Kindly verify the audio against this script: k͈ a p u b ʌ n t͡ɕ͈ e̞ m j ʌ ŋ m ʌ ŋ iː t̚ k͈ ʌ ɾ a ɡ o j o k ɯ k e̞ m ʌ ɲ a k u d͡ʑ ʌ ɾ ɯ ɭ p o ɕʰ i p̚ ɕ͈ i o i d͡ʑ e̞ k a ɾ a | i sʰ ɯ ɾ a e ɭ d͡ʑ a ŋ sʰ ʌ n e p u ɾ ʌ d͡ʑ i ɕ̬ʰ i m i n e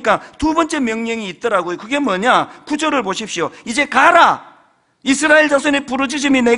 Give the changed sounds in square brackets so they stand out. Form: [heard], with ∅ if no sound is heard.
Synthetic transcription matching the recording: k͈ a [t] u b ʌ n t͡ɕ͈ e̞ m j ʌ ŋ [ɲ] ʌ ŋ iː t̚ [t͈] ʌ ɾ a ɡ o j o k ɯ [ɡ] e̞ m ʌ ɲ a k u d͡ʑ ʌ ɾ ɯ ɭ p o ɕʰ i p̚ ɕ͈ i o i d͡ʑ e̞ k a ɾ a | i sʰ ɯ ɾ a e ɭ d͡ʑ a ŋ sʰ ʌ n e p u ɾ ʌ d͡ʑ i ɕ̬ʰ i m i n e